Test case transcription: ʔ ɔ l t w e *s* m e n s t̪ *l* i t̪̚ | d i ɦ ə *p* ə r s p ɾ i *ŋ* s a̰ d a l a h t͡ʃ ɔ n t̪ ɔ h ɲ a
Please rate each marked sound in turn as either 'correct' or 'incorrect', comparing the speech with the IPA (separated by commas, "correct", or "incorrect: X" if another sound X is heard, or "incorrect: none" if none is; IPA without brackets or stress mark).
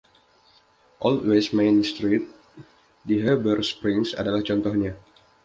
correct, incorrect: ɾ, incorrect: b, correct